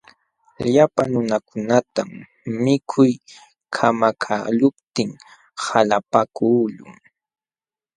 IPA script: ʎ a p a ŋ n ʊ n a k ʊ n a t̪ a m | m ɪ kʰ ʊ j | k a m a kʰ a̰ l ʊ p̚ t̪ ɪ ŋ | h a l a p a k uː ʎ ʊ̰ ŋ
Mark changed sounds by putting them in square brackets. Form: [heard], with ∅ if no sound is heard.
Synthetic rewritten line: ʎ a p a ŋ n ʊ n a k ʊ n a t̪ a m | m ɪ kʰ ʊ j | [kʰ] a m a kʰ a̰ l ʊ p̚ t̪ ɪ ŋ | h a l a p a k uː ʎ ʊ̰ ŋ